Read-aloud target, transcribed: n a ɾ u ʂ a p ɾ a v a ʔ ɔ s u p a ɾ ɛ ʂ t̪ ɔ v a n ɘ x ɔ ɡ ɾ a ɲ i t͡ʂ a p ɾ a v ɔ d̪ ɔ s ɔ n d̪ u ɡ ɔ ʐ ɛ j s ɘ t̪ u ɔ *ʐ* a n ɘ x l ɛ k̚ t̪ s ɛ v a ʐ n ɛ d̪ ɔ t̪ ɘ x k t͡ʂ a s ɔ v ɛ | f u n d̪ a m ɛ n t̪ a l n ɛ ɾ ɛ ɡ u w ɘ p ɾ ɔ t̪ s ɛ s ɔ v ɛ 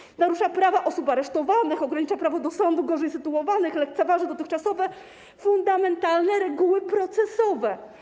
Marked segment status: incorrect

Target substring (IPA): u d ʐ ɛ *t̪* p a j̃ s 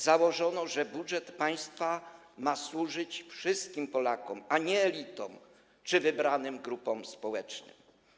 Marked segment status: correct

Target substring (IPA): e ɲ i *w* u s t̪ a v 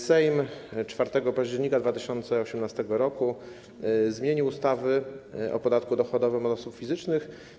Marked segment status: correct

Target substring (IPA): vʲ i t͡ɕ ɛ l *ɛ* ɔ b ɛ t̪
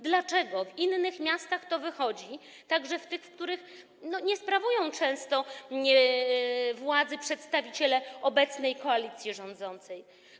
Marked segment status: correct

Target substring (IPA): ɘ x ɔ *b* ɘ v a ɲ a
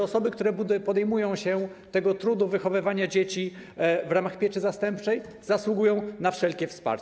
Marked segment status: incorrect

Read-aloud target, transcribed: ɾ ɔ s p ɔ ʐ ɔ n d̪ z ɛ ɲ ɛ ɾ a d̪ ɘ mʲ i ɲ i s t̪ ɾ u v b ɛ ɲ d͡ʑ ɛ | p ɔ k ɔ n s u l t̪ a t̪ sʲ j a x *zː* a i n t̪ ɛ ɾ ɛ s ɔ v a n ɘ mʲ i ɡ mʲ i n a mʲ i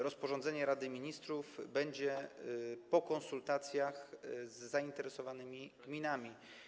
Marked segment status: correct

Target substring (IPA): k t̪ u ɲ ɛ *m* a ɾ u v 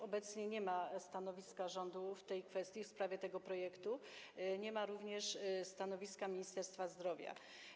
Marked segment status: correct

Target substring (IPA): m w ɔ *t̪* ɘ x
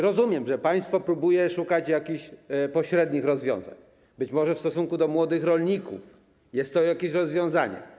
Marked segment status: incorrect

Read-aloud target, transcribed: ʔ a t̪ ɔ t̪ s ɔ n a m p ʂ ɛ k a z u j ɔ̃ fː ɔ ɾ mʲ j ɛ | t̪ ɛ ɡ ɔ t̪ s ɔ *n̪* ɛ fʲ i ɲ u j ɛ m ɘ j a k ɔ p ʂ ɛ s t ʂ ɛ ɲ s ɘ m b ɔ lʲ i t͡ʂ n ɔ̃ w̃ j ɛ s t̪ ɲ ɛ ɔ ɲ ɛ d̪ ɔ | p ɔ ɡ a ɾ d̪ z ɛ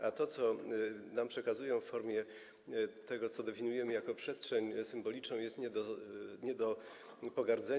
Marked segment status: incorrect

